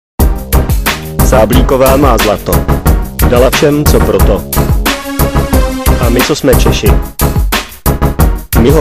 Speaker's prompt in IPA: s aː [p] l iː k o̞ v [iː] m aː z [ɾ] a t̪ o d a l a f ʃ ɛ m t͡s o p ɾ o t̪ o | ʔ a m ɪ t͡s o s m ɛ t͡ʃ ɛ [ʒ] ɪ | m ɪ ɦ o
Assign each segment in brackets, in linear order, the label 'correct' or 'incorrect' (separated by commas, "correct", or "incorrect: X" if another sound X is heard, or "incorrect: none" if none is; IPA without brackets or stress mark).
incorrect: b, incorrect: aː, incorrect: l, incorrect: ʃ